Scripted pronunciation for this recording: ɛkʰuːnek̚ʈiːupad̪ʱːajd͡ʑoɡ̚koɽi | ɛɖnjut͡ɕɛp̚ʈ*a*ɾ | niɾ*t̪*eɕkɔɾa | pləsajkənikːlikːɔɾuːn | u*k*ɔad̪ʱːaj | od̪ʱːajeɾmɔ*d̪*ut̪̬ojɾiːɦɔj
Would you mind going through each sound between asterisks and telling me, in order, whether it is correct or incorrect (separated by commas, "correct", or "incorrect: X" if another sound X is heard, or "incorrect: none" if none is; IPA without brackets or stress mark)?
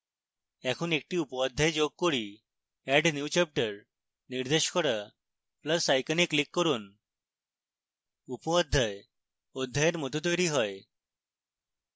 incorrect: ə, incorrect: d̪, incorrect: p, incorrect: t̪